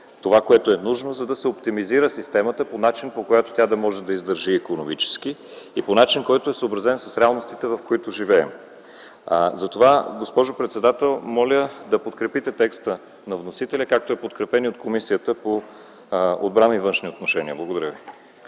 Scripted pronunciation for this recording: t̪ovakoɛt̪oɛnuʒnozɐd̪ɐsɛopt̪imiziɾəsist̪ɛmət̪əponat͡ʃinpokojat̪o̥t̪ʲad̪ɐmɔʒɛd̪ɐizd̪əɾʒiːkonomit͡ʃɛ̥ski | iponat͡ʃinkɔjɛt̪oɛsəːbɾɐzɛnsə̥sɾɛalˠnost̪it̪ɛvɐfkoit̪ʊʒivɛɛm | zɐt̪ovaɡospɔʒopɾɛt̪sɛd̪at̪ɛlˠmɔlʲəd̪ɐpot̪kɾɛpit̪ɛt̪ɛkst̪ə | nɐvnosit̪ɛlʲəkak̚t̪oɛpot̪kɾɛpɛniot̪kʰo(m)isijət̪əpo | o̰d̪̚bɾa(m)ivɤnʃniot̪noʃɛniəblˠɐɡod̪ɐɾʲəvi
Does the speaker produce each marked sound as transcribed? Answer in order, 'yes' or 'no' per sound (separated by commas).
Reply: yes, no